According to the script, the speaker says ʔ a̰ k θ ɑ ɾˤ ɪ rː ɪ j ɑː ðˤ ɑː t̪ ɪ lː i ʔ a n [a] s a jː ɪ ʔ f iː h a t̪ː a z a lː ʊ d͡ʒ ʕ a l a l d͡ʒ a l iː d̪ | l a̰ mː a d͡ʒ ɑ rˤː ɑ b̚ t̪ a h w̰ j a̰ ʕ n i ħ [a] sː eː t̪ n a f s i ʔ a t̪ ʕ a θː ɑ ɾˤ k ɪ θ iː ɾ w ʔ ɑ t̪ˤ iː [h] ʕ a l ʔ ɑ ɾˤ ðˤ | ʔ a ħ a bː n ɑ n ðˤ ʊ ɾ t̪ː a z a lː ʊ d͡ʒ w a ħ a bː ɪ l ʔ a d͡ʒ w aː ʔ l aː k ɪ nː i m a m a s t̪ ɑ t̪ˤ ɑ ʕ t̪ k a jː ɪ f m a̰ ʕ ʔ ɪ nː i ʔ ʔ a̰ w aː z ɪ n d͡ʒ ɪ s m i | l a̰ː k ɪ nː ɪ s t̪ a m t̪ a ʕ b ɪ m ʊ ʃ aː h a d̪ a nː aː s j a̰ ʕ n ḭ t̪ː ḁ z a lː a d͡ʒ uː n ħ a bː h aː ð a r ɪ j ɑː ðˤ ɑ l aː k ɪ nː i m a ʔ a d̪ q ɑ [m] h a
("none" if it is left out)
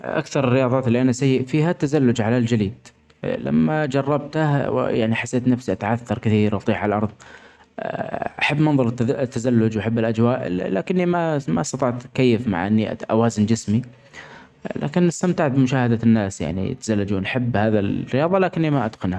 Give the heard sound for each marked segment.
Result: a, a, ħ, n

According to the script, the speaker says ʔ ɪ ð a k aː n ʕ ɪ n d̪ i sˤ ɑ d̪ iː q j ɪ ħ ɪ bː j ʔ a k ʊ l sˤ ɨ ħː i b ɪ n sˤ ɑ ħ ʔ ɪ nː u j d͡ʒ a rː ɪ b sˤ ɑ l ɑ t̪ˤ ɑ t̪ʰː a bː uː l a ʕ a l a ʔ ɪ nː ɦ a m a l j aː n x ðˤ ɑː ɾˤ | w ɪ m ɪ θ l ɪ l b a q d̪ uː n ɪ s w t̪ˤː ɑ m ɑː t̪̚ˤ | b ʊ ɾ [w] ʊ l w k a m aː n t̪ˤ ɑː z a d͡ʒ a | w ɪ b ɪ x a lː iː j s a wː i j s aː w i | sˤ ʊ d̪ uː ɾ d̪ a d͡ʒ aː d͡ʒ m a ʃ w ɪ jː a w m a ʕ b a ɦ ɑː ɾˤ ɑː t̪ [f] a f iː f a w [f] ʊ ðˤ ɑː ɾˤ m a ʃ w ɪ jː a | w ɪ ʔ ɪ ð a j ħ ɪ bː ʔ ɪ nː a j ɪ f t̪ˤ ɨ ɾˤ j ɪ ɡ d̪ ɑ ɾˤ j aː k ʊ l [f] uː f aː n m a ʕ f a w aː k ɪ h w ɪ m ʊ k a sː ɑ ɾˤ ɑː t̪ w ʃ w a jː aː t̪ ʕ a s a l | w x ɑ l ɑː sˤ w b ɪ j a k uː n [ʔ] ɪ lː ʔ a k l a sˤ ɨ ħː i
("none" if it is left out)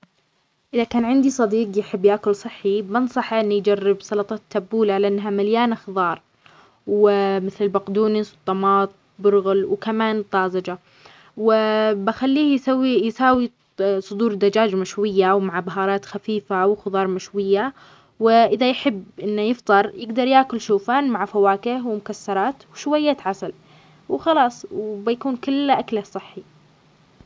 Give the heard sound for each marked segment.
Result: ɣ, x, x, ʃ, k

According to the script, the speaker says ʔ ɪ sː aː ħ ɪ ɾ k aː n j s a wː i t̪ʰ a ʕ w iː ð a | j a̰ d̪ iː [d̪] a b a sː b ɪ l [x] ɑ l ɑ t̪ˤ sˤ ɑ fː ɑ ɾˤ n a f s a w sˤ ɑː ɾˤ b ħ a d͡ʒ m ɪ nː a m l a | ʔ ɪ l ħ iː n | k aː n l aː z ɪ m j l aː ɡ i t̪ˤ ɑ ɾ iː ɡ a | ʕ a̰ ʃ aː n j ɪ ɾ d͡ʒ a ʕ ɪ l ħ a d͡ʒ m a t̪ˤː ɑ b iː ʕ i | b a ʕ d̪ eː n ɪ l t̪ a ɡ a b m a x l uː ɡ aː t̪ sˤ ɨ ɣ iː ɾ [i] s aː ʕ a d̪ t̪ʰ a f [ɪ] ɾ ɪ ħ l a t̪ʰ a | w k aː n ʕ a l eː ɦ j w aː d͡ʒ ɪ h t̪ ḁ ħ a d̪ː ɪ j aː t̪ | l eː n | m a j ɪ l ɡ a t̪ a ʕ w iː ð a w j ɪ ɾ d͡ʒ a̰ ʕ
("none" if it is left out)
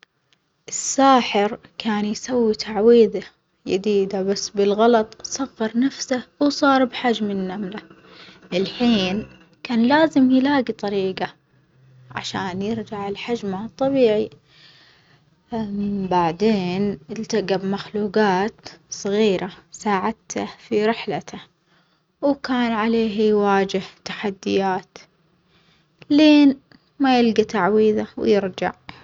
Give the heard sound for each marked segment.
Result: d̪, ɣ, a, i

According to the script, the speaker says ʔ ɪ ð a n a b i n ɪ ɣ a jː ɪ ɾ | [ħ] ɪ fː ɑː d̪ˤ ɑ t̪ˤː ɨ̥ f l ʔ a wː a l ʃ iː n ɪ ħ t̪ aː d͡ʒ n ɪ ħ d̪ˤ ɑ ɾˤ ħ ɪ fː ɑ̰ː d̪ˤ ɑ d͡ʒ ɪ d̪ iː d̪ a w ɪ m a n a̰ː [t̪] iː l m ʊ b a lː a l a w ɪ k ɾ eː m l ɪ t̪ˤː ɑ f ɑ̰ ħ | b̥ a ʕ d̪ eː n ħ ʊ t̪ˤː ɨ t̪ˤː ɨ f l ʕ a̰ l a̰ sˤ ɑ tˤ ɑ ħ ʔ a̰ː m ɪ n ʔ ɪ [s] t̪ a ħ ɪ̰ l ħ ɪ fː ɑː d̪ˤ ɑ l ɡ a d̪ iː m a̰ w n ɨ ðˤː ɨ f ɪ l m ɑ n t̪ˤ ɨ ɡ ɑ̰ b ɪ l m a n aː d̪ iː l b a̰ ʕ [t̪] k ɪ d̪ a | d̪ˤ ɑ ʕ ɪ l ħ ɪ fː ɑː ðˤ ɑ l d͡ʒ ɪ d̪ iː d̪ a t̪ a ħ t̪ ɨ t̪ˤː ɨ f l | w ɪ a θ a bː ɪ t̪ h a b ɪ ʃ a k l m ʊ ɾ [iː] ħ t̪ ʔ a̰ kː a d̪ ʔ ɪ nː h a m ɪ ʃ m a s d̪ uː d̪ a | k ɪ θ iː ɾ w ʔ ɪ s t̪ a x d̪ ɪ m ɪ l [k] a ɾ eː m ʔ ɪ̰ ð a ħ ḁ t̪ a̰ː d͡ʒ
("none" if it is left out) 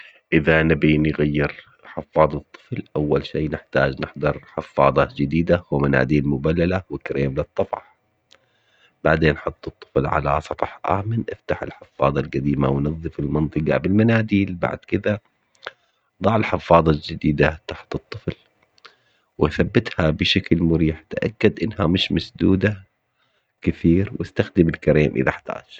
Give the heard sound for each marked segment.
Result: ħ, d̪, f, d̪, iː, k

